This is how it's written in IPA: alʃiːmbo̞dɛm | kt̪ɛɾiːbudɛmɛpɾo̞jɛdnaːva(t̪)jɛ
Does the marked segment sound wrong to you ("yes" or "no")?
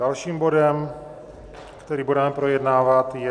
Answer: no